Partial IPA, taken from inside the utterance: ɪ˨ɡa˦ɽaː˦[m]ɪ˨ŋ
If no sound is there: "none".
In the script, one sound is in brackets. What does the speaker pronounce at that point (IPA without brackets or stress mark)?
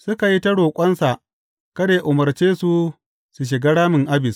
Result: m